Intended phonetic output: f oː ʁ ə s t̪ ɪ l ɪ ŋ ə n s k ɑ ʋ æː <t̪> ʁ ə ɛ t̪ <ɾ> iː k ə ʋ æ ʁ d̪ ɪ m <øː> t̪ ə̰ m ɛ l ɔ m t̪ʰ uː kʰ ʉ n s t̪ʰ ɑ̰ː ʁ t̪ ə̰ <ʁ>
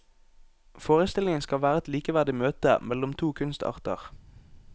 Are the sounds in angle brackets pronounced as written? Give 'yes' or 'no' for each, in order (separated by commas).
no, no, yes, yes